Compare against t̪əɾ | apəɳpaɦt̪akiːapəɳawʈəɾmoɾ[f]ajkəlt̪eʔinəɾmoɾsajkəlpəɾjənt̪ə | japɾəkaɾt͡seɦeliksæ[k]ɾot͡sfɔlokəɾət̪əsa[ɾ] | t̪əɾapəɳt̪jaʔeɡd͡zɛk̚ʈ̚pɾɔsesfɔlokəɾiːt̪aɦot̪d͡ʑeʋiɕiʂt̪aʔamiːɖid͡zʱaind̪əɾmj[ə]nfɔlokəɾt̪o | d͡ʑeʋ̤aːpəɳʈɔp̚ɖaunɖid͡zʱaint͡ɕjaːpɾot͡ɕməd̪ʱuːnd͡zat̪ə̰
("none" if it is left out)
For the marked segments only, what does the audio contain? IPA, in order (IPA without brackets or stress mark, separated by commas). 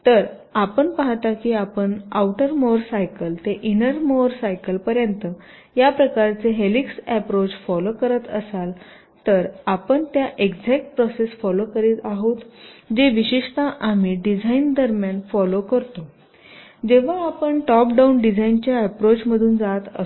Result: s, p, l, a